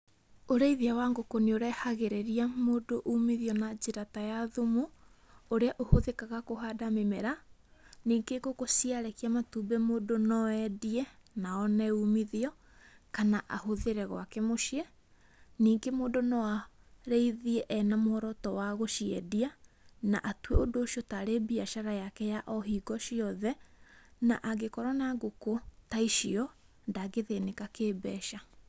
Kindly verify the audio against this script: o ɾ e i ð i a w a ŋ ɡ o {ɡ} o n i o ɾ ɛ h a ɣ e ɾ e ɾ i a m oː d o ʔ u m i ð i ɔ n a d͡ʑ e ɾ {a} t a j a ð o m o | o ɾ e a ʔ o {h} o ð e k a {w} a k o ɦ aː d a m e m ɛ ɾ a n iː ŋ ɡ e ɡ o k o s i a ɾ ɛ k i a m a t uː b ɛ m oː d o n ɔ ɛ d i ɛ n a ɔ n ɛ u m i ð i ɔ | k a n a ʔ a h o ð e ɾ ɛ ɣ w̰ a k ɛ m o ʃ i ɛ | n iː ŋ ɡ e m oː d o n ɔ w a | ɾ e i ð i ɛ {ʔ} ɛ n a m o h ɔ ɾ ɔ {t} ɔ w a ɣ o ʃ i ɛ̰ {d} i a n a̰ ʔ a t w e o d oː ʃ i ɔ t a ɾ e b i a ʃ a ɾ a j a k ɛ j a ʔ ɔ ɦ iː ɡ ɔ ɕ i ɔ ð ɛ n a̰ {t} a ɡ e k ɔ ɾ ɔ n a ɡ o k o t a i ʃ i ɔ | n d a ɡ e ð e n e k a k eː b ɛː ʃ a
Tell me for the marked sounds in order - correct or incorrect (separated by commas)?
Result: incorrect, correct, correct, incorrect, correct, correct, correct, incorrect